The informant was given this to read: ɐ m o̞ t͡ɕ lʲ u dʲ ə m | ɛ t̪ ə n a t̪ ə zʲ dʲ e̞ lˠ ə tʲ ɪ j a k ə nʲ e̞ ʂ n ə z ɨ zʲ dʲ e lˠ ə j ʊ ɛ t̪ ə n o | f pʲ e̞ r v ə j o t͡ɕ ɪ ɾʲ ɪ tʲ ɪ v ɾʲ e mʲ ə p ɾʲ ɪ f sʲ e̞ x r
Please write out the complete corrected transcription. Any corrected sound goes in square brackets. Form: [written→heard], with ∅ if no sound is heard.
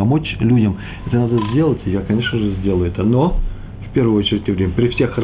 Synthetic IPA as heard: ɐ m o̞ t͡ɕ lʲ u dʲ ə m | ɛ t̪ ə n a [t̪→d̪] ə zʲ dʲ e̞ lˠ ə tʲ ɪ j a k [ə→ɐ] nʲ e̞ ʂ n ə [z→ʐ] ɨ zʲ dʲ e lˠ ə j ʊ ɛ t̪ ə n o | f pʲ e̞ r v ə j o t͡ɕ ɪ ɾʲ ɪ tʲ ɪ v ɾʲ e mʲ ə p ɾʲ ɪ f sʲ e̞ x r